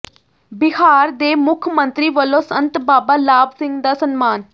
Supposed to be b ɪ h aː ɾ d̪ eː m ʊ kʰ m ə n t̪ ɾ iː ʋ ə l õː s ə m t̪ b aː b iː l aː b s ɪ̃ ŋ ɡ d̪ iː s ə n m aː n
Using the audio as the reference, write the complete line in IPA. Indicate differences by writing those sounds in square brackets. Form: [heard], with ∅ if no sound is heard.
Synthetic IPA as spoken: b ɪ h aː ɾ d̪ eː m ʊ kʰ m ə n t̪ ɾ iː ʋ ə l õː s ə [n] t̪ b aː b [aː] l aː b s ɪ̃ ŋ ɡ d̪ [aː] s ə n m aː n